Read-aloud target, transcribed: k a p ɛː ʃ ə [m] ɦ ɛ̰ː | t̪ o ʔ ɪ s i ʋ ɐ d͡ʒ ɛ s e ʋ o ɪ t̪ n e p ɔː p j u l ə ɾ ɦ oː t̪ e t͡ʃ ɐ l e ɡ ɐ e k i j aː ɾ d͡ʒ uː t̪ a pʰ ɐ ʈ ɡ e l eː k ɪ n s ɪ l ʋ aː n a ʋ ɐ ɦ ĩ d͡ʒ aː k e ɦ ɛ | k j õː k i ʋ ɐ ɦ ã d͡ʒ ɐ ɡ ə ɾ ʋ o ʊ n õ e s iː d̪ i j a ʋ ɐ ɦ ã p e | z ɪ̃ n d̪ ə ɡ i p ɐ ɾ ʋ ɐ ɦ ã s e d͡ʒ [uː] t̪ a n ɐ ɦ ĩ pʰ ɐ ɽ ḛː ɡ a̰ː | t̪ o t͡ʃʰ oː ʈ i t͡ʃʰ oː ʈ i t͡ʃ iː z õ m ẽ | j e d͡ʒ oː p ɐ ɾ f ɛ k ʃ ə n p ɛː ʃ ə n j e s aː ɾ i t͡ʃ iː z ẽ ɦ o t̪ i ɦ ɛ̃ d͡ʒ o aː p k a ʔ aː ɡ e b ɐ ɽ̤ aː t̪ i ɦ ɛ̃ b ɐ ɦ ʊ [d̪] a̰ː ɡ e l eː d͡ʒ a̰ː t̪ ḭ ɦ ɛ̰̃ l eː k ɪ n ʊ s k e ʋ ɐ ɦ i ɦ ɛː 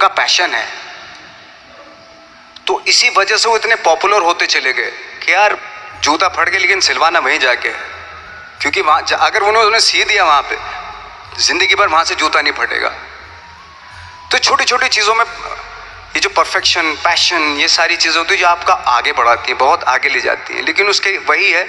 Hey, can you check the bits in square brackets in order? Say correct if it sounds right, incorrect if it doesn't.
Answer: incorrect: n, correct, incorrect: t̪

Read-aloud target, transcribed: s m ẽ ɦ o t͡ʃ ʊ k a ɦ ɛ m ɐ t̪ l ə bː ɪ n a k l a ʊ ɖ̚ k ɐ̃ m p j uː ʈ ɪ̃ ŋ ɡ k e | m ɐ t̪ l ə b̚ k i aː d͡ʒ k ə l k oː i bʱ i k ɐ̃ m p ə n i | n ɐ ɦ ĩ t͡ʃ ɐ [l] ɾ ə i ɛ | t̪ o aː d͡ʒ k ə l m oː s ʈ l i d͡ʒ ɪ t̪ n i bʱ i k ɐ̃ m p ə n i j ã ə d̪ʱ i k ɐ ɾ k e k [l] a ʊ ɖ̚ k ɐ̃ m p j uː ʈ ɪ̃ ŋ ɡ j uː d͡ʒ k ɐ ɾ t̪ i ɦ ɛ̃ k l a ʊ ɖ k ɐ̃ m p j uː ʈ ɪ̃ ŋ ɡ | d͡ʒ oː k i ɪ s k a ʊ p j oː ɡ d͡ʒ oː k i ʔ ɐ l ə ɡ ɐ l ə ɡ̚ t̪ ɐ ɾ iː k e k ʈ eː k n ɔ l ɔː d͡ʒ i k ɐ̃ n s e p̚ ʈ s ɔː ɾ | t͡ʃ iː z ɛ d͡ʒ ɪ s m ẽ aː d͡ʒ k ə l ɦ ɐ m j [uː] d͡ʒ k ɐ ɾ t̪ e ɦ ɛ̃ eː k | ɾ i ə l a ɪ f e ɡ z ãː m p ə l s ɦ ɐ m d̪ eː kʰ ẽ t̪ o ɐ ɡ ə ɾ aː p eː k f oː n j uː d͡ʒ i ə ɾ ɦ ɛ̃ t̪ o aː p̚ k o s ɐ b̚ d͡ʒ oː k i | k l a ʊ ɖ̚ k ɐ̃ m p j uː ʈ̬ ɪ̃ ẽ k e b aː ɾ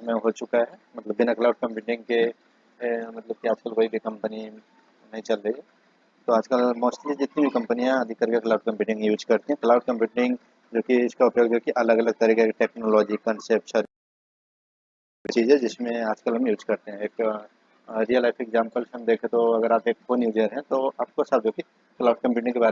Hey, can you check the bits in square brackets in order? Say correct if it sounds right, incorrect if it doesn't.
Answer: correct, correct, correct

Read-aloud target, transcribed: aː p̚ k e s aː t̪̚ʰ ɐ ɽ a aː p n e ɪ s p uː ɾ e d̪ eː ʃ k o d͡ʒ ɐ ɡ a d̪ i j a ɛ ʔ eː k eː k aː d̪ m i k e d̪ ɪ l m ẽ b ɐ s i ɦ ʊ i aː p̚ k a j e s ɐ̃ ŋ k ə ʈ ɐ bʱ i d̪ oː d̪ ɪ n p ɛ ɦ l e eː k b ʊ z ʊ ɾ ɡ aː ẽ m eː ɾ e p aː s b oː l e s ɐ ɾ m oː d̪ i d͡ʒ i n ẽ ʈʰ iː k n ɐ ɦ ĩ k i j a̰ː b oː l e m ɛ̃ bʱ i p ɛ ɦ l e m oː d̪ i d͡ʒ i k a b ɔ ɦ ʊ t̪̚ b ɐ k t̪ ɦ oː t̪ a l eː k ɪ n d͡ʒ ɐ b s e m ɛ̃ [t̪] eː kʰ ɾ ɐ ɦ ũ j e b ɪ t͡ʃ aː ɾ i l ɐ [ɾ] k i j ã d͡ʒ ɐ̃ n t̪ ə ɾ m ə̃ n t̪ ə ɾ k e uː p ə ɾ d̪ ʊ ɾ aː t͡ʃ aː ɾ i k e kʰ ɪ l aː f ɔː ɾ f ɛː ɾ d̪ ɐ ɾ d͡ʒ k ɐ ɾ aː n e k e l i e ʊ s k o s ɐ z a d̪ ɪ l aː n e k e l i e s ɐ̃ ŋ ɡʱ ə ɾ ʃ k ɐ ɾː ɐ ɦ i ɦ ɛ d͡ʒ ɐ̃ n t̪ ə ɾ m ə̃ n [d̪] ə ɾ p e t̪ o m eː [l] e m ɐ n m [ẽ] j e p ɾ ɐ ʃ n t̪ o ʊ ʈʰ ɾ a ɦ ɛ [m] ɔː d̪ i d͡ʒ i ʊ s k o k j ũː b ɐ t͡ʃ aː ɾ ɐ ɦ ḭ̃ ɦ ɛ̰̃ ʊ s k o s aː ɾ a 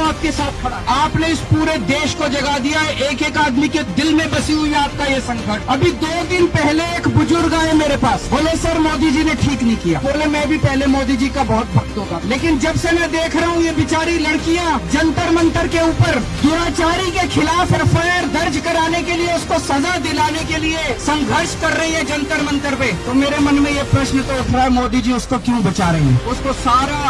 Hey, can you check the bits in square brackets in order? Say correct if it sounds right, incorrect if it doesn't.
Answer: incorrect: d̪, incorrect: ɽ, incorrect: t̪, incorrect: ɾ, correct, correct

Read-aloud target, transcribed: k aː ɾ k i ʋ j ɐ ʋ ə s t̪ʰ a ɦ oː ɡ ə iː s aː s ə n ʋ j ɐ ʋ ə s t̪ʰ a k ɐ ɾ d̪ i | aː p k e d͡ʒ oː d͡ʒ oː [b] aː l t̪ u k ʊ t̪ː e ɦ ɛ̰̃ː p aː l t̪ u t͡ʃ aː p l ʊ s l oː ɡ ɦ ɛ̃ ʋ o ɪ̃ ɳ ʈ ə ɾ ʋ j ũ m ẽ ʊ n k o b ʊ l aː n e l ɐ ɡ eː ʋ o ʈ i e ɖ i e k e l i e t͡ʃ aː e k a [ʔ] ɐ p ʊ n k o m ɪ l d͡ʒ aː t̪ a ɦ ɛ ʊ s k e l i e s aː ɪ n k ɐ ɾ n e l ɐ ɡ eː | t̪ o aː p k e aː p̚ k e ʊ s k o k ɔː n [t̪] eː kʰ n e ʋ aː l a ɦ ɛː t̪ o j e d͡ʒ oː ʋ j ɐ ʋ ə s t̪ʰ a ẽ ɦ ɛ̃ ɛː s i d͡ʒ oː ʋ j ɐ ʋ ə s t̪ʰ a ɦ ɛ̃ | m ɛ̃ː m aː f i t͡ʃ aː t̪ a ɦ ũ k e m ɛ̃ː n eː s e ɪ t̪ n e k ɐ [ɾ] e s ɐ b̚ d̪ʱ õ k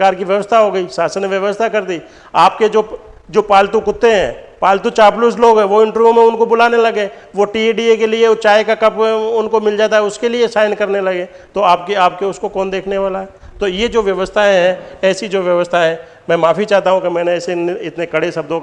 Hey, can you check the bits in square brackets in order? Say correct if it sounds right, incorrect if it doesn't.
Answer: incorrect: p, incorrect: k, incorrect: d̪, incorrect: ɽ

